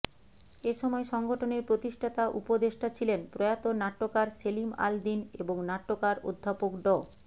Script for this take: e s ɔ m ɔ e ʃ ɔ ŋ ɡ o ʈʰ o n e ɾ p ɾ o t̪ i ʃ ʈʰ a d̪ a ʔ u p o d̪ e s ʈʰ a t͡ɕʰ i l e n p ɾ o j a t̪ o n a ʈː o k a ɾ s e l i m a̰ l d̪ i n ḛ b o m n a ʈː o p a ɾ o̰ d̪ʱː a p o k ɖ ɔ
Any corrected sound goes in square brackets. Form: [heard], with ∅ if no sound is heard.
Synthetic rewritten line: e [ʃ] ɔ m ɔ e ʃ ɔ ŋ ɡ o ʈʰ o n e ɾ p ɾ o t̪ i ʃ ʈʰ a [t̪] a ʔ u p o d̪ e [ʃ] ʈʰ a t͡ɕʰ i l e n p ɾ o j a t̪ o n a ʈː o k a ɾ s e l i m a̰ l d̪ i n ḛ b o [ŋ] n a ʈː o [k] a ɾ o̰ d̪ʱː a p o k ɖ ɔ